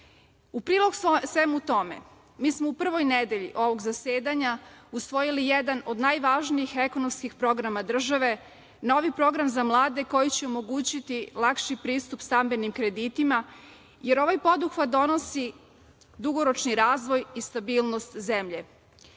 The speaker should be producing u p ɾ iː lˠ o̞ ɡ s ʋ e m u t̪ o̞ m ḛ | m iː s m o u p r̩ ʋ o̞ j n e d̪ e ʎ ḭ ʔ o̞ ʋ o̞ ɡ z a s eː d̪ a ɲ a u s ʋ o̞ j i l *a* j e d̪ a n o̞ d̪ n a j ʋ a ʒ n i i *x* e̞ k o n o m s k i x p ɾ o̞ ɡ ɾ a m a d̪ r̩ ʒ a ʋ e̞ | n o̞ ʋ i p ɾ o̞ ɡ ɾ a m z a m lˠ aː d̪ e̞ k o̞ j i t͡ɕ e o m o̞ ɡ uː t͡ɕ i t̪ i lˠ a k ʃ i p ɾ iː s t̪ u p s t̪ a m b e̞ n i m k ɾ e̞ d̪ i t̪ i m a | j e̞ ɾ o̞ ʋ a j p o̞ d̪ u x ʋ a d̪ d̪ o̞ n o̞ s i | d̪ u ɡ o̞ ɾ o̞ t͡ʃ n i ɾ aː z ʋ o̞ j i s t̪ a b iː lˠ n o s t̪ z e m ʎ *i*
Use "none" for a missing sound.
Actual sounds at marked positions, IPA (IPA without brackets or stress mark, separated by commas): i, x, e